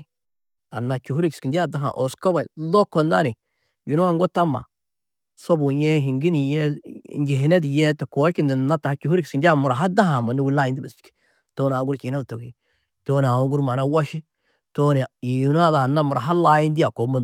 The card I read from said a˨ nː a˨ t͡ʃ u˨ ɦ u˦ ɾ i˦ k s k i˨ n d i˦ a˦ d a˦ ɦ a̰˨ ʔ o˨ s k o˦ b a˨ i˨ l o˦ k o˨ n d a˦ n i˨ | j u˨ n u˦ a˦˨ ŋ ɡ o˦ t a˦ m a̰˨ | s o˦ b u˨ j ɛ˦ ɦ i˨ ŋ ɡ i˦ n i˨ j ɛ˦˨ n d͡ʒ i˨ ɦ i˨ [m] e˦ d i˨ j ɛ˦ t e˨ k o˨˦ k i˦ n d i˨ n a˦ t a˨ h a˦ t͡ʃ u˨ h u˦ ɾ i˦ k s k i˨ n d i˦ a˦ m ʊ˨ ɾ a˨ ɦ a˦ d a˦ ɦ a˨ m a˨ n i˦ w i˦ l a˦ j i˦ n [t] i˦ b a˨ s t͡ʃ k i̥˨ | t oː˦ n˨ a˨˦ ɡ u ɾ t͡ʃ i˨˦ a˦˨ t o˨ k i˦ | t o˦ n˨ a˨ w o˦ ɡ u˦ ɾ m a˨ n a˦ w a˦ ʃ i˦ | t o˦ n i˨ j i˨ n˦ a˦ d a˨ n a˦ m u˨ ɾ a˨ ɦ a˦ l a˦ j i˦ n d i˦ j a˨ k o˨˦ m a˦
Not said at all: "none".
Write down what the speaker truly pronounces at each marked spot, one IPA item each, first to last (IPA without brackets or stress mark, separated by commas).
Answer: n, d